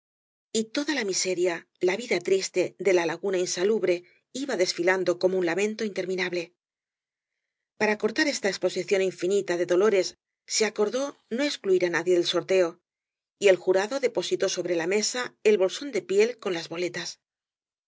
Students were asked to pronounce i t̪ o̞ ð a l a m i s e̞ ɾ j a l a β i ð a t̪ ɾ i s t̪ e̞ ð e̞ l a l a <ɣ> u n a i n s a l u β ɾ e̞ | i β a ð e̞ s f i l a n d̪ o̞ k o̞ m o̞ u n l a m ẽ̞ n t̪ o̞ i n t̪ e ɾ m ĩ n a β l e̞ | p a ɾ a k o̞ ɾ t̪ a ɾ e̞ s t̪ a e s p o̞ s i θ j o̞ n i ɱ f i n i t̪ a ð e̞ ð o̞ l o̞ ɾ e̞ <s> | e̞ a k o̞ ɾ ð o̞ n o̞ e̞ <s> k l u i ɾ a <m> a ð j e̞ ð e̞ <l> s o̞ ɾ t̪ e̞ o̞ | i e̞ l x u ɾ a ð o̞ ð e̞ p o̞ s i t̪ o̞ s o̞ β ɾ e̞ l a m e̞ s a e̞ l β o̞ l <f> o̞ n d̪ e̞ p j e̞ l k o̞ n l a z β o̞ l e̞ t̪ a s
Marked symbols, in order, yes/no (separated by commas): yes, no, yes, no, yes, no